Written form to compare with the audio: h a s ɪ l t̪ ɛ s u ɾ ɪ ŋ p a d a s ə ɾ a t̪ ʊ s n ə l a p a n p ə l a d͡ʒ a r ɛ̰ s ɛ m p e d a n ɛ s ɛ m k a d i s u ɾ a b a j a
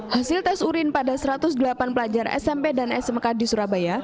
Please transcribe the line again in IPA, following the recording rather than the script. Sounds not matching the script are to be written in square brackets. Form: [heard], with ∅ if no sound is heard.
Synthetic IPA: h a s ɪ l t̪ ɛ s u ɾ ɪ [n] p a d a s ə ɾ a t̪ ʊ s [d] ə l a p a n p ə l a d͡ʒ a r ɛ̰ s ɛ m p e d a n ɛ s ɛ m k a d i s u ɾ a b a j a